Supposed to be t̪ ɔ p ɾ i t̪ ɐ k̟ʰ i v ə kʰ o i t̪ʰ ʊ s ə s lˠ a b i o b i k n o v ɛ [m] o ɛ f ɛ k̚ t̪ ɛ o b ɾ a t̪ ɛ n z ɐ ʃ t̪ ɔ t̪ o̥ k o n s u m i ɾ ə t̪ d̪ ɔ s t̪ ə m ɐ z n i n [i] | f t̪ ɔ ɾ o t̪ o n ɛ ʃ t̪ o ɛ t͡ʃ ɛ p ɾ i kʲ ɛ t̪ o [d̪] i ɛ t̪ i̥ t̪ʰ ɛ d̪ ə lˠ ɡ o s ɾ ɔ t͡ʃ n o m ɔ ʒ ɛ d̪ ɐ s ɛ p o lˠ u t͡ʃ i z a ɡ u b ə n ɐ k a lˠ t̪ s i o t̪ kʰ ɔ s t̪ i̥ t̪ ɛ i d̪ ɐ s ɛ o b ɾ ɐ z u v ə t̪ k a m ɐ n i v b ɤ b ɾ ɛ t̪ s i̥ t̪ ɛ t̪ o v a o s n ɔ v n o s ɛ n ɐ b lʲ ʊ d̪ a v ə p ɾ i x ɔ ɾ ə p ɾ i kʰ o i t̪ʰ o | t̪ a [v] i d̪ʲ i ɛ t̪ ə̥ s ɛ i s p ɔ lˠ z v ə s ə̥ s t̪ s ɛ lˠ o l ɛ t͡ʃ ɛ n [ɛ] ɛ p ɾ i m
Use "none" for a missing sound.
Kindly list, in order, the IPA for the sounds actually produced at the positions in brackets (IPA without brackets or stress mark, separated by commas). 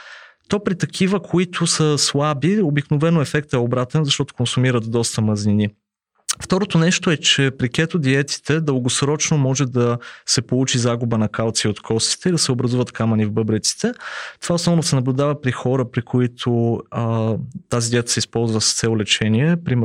n, i, d̪, z, i